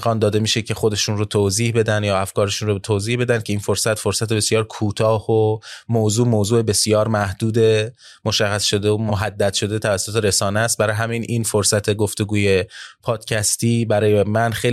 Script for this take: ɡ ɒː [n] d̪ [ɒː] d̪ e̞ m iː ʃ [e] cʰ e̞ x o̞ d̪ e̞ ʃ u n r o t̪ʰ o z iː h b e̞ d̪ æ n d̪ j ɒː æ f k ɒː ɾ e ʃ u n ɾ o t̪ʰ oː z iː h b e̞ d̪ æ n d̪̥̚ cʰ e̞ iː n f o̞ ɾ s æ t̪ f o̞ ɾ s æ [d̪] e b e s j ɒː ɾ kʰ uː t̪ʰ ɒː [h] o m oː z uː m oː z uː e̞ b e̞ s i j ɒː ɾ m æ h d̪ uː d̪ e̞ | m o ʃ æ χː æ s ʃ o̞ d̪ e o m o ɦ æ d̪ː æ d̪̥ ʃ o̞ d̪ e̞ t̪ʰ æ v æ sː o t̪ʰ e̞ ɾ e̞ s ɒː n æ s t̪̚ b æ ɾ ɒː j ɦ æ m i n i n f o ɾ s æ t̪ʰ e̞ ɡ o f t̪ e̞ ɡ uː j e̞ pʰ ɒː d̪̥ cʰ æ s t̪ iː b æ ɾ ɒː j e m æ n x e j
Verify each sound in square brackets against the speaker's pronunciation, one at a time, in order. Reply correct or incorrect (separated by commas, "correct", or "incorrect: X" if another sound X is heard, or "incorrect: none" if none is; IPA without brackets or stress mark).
correct, correct, correct, incorrect: t̪, correct